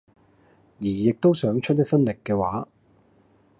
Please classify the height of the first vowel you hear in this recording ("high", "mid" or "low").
high